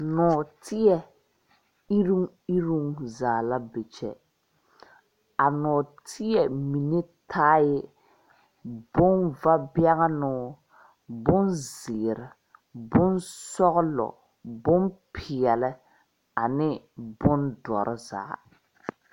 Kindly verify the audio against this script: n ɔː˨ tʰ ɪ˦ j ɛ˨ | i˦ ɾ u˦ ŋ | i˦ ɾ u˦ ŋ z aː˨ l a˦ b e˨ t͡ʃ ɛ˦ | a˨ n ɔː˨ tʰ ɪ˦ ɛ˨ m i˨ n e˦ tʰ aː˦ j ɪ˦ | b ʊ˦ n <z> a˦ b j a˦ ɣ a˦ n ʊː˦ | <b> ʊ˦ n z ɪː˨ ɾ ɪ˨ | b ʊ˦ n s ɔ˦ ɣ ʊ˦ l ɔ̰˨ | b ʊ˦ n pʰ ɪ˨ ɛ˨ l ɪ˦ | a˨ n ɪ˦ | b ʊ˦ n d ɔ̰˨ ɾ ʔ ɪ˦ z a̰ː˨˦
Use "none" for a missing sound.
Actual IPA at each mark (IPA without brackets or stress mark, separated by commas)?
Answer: v, b